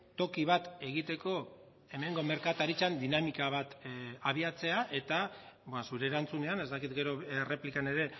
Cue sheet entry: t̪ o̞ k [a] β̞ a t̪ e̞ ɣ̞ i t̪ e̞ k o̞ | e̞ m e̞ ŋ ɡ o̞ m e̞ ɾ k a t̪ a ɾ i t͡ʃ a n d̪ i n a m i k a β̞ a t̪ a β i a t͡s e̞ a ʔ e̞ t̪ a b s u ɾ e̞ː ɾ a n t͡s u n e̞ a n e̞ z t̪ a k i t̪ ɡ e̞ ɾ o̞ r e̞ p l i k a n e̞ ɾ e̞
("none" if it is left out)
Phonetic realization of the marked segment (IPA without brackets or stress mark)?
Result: i